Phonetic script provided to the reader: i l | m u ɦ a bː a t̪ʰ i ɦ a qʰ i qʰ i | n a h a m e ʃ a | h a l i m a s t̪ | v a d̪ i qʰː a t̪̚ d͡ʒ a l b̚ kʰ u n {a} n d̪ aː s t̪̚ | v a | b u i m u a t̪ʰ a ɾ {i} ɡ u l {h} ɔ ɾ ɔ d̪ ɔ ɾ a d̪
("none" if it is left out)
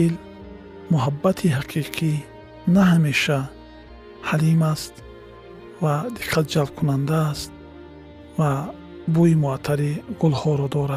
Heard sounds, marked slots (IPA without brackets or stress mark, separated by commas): a, i, h